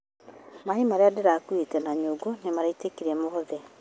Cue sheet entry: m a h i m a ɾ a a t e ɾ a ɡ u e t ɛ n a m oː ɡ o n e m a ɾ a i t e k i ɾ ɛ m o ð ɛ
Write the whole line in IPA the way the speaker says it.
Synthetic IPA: m a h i m a ɾ e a d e ɾ a k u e t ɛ n a ɲ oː ɡ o n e m a ɾ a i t e k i ɾ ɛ m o ð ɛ